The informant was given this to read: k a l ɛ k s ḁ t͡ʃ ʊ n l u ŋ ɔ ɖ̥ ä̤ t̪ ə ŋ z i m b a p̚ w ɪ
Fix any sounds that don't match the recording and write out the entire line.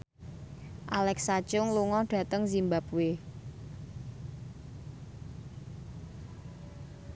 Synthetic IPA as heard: ʔ a l ɛ k s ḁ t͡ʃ ʊ ŋ l u ŋ ɔ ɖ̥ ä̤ t̪ ə ŋ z i m b a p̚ w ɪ